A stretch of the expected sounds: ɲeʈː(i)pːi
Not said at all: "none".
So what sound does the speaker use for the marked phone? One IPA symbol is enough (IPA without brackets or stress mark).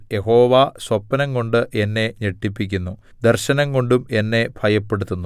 i